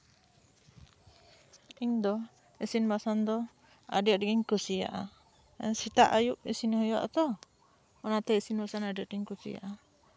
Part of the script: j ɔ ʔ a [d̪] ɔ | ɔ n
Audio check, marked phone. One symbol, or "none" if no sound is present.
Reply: t̪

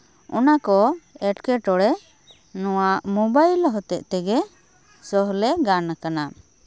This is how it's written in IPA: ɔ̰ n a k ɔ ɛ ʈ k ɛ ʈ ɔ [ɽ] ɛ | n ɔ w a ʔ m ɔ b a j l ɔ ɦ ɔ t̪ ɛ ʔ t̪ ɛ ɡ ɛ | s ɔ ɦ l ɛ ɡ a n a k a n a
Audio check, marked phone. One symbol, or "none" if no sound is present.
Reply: ɽ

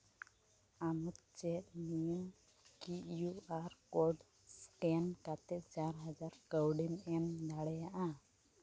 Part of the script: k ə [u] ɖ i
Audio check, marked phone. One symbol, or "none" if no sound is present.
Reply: w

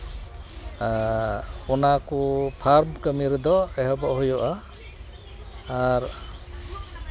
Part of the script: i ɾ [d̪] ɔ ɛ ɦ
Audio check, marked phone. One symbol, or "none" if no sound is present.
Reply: d̪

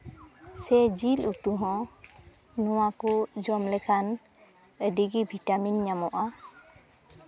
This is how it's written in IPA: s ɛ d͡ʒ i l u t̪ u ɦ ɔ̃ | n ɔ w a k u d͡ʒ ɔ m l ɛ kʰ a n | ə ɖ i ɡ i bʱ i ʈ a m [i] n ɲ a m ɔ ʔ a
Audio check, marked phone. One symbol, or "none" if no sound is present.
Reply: i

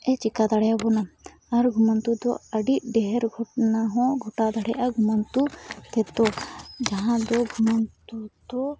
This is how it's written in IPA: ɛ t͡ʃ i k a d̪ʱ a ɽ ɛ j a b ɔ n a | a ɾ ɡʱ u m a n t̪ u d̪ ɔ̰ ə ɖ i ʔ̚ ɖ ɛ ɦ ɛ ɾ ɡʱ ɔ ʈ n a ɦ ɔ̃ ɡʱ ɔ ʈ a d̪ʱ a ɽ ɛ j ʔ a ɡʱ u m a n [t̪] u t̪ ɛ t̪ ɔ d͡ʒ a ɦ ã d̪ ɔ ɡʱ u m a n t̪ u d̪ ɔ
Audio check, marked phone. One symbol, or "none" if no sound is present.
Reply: t̪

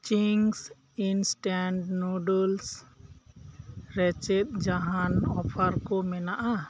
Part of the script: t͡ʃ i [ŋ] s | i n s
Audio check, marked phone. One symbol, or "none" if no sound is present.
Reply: ŋ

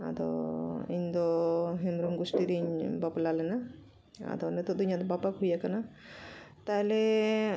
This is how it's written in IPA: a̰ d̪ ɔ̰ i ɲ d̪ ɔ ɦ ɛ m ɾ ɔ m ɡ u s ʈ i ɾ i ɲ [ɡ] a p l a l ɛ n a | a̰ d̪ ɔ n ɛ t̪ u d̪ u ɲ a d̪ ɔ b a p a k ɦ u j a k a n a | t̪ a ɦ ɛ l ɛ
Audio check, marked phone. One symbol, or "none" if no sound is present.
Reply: b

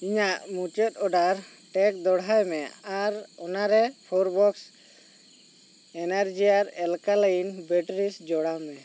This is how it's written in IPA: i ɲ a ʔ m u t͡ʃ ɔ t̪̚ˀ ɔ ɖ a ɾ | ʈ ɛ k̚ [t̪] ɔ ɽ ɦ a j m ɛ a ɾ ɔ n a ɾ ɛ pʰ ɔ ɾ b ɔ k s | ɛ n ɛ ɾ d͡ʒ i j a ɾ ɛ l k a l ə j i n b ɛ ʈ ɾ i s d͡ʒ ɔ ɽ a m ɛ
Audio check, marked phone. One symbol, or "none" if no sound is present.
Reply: d̪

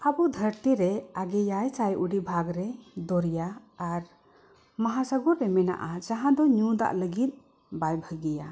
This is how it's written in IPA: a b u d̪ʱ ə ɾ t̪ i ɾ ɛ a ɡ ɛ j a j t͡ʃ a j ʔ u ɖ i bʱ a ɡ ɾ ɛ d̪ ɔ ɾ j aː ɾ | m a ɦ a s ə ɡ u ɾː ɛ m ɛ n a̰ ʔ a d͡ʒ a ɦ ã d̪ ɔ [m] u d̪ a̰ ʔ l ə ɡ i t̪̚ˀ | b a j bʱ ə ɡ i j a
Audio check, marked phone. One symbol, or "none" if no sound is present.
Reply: ɲ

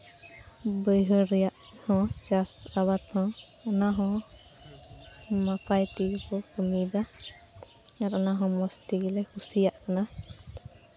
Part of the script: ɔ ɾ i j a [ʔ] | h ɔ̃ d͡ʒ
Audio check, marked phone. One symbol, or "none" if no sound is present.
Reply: ʔ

